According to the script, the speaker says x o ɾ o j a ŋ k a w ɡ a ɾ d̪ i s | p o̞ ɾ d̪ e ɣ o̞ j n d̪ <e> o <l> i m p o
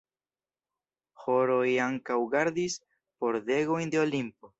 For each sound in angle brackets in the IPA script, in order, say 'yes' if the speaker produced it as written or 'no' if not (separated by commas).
yes, yes